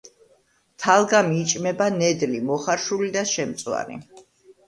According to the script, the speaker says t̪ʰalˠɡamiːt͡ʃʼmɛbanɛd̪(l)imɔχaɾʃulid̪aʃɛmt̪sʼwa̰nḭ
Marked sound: correct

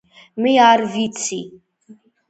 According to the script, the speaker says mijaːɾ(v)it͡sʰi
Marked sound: correct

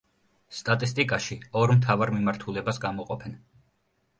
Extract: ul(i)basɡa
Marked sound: incorrect: ɛ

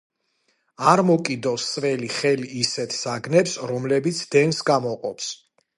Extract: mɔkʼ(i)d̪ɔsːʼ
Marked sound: correct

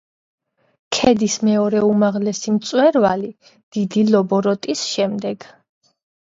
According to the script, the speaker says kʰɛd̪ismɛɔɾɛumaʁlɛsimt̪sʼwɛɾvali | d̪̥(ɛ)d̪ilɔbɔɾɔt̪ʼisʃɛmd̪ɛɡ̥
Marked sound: incorrect: i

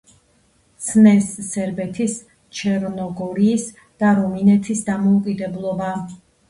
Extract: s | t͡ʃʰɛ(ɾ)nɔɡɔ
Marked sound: correct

